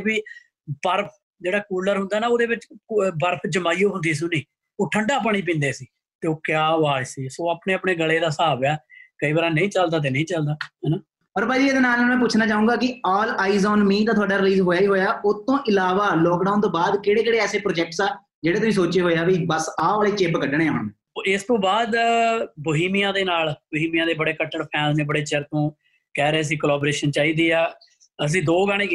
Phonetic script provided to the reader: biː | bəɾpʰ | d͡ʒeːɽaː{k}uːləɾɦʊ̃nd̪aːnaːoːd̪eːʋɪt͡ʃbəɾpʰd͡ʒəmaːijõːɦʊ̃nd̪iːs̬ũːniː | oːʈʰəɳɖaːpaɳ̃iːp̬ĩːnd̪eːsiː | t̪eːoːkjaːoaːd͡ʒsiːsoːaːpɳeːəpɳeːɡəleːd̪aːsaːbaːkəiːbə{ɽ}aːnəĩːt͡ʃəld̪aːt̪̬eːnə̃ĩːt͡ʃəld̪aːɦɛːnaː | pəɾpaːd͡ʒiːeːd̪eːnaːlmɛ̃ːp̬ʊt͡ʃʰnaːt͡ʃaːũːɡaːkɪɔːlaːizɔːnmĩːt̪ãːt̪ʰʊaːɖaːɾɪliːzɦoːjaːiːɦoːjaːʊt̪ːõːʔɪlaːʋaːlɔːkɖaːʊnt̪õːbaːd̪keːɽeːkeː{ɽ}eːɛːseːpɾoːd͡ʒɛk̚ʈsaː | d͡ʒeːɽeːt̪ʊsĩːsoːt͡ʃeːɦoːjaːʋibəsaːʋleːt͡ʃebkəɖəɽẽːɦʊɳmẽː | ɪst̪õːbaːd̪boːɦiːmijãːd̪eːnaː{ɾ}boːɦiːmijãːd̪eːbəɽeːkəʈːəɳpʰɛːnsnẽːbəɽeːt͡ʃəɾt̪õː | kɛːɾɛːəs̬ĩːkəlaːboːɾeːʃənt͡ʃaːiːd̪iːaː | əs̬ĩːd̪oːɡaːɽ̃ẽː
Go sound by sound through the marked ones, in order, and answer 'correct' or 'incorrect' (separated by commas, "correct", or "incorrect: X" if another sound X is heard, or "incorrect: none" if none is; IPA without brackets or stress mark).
correct, incorrect: ɾ, correct, incorrect: l